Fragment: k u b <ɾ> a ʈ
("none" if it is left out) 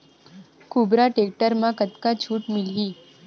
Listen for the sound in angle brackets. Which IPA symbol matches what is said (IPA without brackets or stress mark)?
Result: ɾ